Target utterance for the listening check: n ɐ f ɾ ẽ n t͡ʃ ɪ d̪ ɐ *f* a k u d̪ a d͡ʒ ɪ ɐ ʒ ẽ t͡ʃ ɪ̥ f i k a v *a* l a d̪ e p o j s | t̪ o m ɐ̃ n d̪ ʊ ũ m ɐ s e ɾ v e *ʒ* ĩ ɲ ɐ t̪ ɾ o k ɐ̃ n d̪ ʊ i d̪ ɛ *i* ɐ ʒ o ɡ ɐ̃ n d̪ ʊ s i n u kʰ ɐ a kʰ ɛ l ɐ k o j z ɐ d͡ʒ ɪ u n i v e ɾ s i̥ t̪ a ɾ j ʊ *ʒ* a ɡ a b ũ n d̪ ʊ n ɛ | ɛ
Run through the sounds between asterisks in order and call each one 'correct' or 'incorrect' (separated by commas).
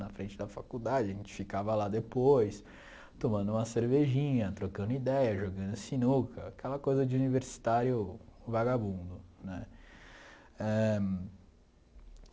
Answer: correct, incorrect, correct, incorrect, incorrect